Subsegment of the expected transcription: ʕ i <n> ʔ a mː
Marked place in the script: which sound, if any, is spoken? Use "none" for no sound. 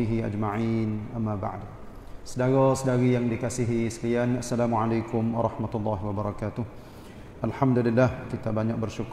n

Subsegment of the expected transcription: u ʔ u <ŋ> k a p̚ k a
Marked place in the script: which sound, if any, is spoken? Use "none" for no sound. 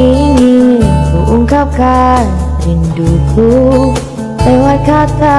ŋ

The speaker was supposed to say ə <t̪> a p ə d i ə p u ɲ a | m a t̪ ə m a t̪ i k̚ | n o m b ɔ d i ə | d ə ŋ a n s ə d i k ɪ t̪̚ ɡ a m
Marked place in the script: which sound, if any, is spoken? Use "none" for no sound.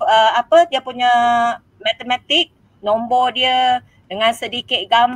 none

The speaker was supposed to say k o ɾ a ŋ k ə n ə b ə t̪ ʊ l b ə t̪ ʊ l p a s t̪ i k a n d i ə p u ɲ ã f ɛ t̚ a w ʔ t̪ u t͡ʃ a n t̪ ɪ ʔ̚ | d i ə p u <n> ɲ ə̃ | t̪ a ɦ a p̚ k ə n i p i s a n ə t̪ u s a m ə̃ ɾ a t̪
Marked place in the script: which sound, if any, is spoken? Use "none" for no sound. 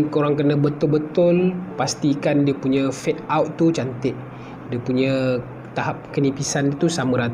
none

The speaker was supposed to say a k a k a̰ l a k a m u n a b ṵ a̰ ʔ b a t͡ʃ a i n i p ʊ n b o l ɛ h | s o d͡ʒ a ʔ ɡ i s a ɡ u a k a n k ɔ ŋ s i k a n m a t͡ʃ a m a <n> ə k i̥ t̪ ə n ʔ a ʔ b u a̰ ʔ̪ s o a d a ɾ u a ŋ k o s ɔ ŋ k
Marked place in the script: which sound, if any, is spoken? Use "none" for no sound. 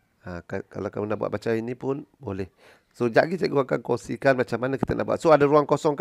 n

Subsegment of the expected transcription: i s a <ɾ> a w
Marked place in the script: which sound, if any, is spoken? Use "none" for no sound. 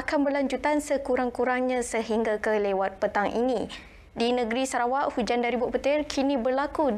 ɾ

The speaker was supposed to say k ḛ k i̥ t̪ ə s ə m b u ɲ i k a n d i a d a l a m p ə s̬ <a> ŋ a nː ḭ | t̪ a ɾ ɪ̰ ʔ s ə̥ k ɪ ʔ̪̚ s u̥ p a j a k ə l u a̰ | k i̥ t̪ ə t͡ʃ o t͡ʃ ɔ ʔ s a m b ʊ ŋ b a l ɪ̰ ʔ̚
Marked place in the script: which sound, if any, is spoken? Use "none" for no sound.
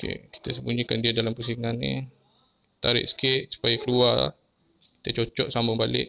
i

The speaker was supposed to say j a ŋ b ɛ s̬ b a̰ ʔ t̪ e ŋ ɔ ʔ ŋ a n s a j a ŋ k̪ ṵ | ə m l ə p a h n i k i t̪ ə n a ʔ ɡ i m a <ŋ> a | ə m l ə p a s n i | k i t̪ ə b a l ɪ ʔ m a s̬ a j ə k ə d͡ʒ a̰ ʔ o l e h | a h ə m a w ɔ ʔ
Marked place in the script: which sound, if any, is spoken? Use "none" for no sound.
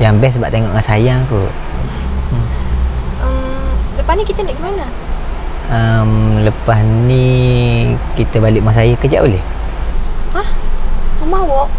n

